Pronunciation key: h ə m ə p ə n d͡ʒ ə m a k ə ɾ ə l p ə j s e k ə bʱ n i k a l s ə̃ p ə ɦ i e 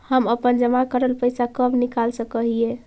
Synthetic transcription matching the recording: h ə m ə p ə n d͡ʒ ə m a k ə ɾ ə l p ə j s a k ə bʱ n i k a l s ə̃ k ə ɦ i e